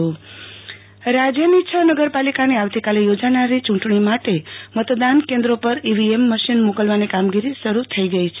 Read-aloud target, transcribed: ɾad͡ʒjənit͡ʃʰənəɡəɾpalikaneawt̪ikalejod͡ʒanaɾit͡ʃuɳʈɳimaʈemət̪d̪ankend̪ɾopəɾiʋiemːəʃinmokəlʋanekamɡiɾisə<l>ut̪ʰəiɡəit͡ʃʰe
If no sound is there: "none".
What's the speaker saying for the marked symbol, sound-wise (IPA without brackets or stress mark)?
ɾ